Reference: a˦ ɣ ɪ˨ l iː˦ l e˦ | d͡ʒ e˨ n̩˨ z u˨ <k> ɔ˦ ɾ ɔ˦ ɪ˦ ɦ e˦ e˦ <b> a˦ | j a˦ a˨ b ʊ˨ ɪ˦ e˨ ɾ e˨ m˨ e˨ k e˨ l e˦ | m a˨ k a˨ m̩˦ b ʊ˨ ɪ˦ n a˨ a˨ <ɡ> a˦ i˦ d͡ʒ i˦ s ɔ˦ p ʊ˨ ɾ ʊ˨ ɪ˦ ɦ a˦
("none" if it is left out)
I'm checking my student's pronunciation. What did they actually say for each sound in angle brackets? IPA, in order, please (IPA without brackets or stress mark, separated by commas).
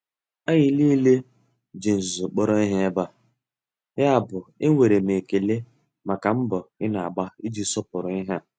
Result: k͡p, b, ɡ͡b